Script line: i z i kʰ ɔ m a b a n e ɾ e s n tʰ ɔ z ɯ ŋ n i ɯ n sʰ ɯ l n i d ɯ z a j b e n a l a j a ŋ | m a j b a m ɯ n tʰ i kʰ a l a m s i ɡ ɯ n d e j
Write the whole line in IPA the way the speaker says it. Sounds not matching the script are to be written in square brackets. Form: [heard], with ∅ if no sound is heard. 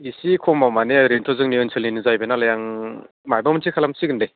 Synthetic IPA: i [s] i kʰ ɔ m a [m] a n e ɾ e [∅] n tʰ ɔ z ɯ ŋ n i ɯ n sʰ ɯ l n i [n] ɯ z a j b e n a l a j a ŋ | m a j b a m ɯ n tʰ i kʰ a l a m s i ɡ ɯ n d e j